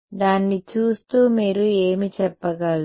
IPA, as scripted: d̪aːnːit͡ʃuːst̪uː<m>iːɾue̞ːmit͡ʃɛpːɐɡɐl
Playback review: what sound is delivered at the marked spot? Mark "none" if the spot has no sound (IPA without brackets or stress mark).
m